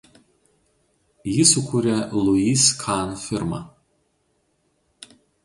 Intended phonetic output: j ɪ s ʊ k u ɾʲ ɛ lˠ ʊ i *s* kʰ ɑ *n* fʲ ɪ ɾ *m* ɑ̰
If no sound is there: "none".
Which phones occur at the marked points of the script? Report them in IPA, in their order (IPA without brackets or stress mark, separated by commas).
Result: s, n, m